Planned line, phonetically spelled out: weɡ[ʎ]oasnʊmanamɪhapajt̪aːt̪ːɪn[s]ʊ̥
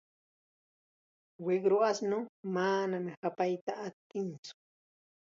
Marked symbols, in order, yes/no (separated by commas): no, no